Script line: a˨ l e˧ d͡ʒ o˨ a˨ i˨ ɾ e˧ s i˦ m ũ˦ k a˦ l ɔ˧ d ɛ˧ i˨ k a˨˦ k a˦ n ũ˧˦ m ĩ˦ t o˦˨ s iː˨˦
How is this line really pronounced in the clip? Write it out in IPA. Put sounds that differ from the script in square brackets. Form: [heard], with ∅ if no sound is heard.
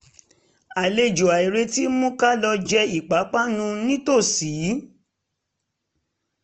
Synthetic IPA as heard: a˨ l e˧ d͡ʒ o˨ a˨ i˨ ɾ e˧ [t] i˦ m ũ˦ k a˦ l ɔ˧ [d͡ʒ] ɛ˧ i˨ [k͡p] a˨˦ [k͡p] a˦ n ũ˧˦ [n] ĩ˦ t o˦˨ s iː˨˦